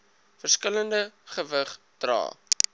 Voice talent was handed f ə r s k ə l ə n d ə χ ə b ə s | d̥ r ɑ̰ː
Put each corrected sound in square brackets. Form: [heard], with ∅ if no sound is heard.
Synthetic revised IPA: f ə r s k ə l ə n d ə χ ə [v] ə [χ] | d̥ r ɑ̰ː